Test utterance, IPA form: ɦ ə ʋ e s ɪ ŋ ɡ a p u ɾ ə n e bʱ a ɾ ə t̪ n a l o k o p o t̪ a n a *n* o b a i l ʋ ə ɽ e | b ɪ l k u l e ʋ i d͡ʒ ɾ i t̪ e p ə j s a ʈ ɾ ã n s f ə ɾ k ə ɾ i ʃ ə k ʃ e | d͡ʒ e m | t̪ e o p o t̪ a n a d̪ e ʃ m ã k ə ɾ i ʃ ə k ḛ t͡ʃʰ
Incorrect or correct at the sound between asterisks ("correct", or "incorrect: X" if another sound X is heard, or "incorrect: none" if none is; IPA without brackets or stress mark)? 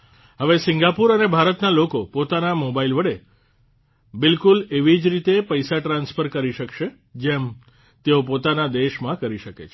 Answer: incorrect: m